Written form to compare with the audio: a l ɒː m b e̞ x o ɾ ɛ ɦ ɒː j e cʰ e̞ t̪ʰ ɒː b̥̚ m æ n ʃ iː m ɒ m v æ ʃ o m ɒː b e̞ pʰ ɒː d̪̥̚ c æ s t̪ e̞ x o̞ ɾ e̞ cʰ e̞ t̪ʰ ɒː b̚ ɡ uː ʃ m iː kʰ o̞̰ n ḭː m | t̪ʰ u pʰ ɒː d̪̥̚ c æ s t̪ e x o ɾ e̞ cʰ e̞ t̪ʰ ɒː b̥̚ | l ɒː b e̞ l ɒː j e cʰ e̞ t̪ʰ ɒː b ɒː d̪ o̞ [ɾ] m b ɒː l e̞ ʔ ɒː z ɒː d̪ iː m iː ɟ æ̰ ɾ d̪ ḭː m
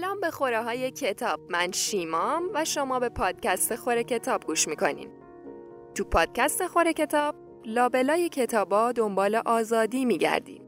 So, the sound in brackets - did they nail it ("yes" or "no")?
no